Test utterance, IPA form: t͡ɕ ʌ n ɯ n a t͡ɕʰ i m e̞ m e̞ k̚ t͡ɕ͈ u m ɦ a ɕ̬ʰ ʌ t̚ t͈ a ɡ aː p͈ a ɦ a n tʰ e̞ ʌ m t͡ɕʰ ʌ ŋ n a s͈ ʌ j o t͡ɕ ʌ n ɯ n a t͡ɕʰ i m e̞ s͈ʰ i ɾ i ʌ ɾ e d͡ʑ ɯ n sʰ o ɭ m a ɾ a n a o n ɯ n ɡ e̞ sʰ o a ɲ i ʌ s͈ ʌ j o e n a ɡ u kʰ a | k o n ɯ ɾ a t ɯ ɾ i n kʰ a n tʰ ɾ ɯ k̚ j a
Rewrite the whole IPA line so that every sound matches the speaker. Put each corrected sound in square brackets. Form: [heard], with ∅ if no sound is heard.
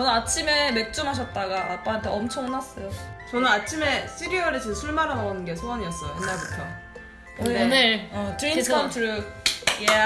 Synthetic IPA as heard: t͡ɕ ʌ n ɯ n a t͡ɕʰ i m e̞ m e̞ k̚ t͡ɕ͈ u m ɦ a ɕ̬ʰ ʌ t̚ t͈ a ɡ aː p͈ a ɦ a n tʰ e̞ ʌ m t͡ɕʰ ʌ ŋ n a s͈ ʌ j o t͡ɕ ʌ n ɯ n a t͡ɕʰ i m e̞ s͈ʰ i ɾ i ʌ ɾ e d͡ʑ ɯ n sʰ [u] ɭ m a ɾ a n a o n ɯ n ɡ e̞ sʰ o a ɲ i ʌ s͈ ʌ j o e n a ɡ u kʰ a | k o n ɯ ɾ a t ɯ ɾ i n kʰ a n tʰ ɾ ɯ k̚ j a